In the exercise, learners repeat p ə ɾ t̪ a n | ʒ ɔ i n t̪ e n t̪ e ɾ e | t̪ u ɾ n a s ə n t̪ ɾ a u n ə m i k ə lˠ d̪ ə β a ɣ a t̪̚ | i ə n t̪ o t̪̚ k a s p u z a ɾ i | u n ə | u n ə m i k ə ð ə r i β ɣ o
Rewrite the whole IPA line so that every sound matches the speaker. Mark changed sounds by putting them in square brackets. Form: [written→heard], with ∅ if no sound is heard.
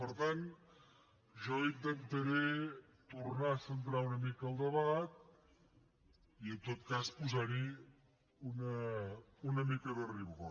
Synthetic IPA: p ə ɾ t̪ a n | ʒ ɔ i n t̪ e n t̪ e ɾ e | t̪ u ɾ n a s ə n t̪ ɾ a u n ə m i k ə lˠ d̪ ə β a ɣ a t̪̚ | i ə n t̪ o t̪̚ k a s p u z a ɾ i | u n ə | u n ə m i k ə ð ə r i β ɣ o